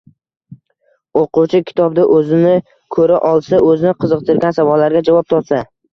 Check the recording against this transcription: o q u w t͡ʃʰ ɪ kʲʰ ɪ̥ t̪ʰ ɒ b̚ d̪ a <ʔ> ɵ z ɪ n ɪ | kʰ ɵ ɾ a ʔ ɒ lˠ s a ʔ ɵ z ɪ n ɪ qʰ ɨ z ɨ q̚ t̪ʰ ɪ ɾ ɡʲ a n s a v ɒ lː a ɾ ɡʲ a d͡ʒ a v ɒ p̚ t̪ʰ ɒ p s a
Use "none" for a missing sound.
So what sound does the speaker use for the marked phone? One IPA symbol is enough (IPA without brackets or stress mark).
ʔ